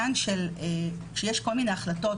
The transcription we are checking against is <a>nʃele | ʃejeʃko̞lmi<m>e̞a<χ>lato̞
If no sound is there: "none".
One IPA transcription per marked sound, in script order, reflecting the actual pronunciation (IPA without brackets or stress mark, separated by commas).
a, n, χ